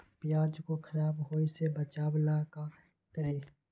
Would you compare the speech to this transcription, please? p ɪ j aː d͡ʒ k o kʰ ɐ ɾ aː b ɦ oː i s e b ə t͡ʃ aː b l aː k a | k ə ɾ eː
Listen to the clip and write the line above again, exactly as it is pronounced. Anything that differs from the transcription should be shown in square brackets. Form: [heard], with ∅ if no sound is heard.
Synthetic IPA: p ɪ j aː d͡ʒ k o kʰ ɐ ɾ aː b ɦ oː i s e b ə t͡ʃ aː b l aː k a | k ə ɾ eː